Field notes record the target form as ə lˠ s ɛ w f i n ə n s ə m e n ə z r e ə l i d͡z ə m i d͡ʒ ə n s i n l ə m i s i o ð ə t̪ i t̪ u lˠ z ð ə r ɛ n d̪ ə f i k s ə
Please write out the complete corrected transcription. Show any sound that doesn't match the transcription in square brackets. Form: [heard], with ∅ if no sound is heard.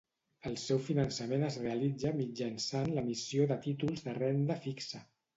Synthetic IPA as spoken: ə lˠ s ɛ w f i n ə n s ə m e n ə z r e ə l i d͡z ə m i d͡ʒ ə n s [a] n l ə m i s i o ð ə t̪ i t̪ u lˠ z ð ə r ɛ n d̪ ə f i k s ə